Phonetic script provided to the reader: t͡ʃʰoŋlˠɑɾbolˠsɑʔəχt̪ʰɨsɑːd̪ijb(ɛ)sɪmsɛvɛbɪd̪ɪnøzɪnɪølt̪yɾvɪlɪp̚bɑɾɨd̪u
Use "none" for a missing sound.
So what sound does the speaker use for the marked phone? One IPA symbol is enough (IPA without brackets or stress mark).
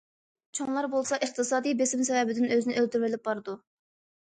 e